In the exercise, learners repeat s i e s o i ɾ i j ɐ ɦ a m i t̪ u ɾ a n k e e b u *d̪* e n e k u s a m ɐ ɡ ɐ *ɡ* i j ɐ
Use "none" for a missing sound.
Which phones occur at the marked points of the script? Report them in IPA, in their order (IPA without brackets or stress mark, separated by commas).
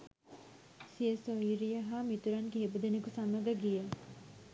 d̪, ɡ